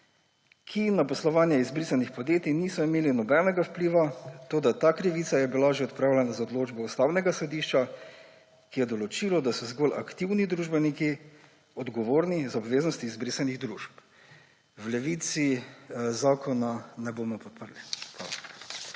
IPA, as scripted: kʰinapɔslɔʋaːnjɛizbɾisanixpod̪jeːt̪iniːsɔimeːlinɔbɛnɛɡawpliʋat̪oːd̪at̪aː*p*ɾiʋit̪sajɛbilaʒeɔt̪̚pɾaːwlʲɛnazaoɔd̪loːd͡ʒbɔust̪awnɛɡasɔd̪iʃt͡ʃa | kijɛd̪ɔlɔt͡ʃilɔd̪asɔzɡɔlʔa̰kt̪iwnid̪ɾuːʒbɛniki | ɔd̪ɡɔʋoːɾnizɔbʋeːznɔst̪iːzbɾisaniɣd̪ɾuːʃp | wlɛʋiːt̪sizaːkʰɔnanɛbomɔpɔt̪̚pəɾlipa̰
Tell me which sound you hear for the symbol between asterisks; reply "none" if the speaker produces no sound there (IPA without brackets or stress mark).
k